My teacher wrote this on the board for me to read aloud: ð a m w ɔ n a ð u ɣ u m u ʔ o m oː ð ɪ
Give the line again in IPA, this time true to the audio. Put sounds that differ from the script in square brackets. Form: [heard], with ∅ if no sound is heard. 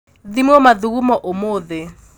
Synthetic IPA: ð [i] m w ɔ [m] a ð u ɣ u m [ɔ] ʔ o m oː ð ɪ

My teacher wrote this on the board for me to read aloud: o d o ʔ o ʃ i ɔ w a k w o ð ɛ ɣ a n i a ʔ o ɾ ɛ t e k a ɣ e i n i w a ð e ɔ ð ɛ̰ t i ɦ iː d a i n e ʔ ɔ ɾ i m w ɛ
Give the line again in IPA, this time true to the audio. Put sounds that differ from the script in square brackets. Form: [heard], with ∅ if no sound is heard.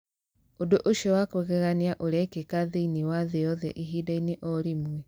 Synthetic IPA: o d o ʔ o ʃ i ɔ w a k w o [ɣ] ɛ ɣ a n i a ʔ o ɾ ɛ [k] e k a [ð] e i n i w a ð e ɔ ð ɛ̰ [ʔ] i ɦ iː d a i n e ʔ ɔ ɾ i m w ɛ

